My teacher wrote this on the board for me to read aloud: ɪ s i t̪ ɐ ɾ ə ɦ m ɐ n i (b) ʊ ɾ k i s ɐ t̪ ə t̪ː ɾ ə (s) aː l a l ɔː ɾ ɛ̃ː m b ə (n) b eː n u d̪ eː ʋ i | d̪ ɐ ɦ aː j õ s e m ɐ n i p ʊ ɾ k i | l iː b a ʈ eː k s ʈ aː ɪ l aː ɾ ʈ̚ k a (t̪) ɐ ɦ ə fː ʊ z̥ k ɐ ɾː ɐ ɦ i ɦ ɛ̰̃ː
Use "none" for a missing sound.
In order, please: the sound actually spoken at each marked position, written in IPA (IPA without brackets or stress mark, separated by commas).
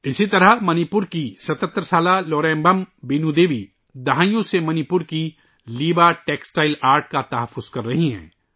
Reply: p, s, m, t̪